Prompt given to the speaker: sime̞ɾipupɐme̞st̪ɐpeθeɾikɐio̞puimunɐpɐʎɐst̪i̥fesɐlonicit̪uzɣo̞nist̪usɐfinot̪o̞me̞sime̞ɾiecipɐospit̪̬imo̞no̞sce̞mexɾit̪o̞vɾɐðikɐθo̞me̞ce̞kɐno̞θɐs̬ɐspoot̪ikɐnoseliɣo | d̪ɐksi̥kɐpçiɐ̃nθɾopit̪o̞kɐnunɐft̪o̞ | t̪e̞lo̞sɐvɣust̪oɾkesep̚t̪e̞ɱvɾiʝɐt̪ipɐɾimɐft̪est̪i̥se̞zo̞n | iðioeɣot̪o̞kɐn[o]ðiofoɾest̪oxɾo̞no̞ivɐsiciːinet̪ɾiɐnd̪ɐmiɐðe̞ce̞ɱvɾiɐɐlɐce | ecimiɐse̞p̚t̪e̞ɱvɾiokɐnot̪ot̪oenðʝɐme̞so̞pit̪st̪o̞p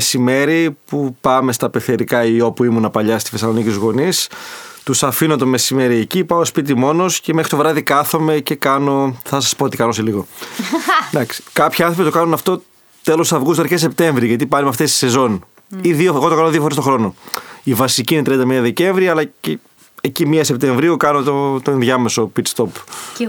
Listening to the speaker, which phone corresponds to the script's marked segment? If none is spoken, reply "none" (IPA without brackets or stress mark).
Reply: o